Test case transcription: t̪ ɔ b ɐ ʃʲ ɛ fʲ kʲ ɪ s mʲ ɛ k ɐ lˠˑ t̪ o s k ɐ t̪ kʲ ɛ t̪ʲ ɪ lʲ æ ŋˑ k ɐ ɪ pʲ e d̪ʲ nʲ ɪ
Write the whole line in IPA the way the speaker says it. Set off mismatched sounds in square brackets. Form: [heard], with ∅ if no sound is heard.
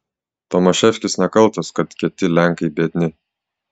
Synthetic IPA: t̪ ɔ [m] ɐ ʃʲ ɛ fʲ kʲ ɪ s [nʲ] ɛ k ɐ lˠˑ t̪ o s k ɐ t̪ kʲ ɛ t̪ʲ ɪ lʲ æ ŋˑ k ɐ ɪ [bʲ] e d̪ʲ nʲ ɪ